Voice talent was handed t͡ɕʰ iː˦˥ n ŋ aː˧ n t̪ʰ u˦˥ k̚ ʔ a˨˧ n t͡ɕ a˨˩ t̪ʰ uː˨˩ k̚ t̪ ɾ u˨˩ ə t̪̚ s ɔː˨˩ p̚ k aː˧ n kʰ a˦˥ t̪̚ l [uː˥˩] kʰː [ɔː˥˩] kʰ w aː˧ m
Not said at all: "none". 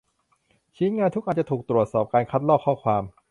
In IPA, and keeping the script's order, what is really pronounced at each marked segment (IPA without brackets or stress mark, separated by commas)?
ɔː˥˩, ɔː˥˩